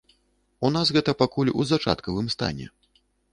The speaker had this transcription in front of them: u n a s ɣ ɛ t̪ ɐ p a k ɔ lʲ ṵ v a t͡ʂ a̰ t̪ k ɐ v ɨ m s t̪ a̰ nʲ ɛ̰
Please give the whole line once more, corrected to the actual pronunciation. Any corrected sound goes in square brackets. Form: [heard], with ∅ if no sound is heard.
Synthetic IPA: u n a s ɣ ɛ t̪ ɐ p a k [u] lʲ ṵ [z] a t͡ʂ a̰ t̪ k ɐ v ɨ m s t̪ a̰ nʲ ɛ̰